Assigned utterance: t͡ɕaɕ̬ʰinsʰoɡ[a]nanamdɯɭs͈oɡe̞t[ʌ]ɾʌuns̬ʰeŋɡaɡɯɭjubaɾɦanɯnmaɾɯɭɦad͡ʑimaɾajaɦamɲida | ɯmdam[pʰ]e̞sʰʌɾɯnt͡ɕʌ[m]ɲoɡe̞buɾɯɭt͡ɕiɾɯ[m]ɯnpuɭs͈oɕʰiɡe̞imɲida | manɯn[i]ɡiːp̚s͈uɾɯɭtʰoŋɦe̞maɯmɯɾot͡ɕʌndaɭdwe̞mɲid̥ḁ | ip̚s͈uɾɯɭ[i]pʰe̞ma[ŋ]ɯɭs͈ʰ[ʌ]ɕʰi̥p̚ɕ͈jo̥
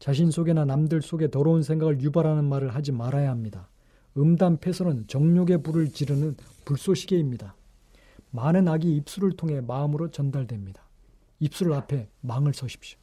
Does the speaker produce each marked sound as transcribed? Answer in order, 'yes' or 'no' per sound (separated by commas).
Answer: no, yes, yes, no, no, no, no, yes, yes